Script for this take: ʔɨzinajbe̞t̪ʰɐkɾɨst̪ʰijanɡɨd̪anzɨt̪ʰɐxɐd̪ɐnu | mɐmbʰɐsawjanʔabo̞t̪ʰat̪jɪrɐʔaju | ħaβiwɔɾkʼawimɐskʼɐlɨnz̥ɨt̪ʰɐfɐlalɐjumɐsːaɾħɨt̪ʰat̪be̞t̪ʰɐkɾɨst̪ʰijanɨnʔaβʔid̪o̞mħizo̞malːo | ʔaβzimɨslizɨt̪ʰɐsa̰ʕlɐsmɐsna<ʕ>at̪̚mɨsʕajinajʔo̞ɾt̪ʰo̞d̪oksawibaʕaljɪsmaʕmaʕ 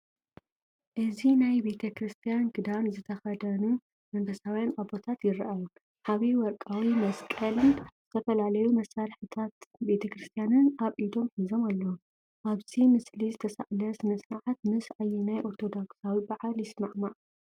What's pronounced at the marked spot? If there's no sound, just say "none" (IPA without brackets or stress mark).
ʕ